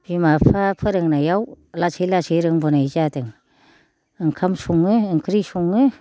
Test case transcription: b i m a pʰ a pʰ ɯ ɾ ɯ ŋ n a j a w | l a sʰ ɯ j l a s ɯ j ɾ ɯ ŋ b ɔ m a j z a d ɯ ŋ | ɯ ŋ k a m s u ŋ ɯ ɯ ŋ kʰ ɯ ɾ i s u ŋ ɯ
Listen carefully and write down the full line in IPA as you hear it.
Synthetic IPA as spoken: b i m a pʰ a pʰ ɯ ɾ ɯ ŋ n a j a w | l a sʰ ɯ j l a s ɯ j ɾ ɯ ŋ b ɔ n a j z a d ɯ ŋ | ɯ ŋ kʰ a m s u ŋ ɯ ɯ ŋ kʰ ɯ ɾ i s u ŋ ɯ